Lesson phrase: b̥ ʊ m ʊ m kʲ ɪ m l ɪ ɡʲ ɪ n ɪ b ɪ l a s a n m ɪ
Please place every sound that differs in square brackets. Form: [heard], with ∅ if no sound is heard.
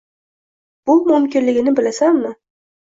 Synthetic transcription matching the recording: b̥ ʊ m ʊ m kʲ ɪ [n] l ɪ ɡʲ ɪ n ɪ b ɪ l a s a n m ɪ